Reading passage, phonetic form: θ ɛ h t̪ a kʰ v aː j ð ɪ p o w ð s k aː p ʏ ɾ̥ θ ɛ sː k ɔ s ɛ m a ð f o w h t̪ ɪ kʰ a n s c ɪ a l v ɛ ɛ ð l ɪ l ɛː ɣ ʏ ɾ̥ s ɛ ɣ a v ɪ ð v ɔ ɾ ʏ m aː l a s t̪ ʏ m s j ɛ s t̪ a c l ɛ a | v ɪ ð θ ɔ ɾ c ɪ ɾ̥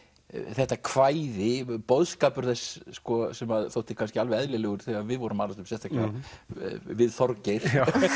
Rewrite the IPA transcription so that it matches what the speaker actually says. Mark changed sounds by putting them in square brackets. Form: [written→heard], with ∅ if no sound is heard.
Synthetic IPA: θ ɛ h t̪ a kʰ v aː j ð ɪ p o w ð s k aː p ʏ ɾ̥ θ ɛ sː k ɔ s ɛ m a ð [f→θ] o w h t̪ ɪ kʰ a n s c ɪ a l v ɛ ɛ ð l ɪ l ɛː ɣ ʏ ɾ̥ [s→θ] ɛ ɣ a v ɪ ð v ɔ ɾ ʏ m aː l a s t̪ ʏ m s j ɛ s t̪ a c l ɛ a | v ɪ ð θ ɔ ɾ c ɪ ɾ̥